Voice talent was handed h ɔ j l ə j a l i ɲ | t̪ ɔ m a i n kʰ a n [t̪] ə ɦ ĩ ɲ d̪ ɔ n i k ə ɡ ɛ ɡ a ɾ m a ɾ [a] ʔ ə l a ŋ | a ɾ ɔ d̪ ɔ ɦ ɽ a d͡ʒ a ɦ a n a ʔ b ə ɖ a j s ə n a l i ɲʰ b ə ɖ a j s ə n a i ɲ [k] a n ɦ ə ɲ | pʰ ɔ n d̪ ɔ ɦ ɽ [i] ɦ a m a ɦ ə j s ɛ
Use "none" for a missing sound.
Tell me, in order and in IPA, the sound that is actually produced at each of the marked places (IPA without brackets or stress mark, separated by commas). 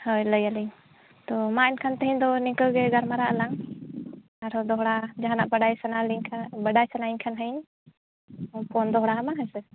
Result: t̪, a, kʰ, a